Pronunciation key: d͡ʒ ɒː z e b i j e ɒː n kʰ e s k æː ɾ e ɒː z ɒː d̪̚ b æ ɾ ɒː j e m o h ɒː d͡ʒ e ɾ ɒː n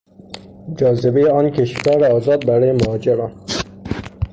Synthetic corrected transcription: d͡ʒ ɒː z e b e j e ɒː n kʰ e ʃ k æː ɾ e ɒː z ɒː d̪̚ b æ ɾ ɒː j e m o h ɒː d͡ʒ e ɾ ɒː n